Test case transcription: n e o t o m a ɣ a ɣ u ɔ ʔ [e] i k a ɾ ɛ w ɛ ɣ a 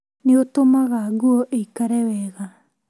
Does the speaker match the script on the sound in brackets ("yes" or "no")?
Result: yes